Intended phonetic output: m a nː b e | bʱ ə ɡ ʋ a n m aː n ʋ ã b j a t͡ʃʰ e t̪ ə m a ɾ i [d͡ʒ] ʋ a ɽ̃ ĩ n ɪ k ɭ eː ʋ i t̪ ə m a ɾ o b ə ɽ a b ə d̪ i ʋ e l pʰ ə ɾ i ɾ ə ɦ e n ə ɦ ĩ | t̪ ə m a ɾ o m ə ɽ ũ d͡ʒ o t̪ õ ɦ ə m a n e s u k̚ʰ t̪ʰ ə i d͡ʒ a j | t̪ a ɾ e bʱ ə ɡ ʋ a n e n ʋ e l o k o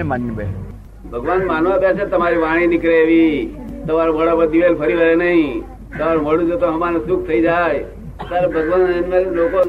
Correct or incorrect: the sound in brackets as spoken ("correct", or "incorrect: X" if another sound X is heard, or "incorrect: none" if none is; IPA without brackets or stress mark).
incorrect: none